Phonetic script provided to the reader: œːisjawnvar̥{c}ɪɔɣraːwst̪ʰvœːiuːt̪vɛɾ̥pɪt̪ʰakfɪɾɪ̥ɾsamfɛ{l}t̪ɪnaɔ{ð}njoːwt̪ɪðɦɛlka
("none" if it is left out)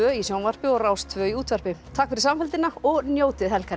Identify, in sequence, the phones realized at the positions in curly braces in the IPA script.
p, l, ɣ

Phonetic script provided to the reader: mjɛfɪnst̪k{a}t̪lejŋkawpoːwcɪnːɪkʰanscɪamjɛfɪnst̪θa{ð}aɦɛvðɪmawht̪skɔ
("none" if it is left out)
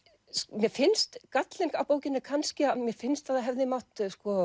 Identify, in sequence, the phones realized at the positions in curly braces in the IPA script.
a, ð

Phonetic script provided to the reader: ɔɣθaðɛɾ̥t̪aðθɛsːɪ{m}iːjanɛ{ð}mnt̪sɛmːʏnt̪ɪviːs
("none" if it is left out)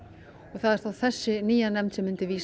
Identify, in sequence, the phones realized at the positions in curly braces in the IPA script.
n, none

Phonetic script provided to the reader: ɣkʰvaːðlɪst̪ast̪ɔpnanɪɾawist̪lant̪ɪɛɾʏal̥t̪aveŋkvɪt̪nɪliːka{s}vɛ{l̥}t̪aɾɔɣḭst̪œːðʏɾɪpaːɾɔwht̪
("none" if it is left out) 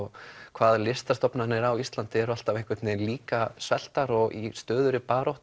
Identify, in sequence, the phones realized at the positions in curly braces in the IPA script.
s, l̥

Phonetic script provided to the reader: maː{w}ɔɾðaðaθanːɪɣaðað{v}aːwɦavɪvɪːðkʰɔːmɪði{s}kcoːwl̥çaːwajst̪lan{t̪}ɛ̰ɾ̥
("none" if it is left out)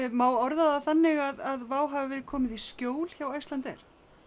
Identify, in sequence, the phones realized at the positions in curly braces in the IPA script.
w, v, s, t̪

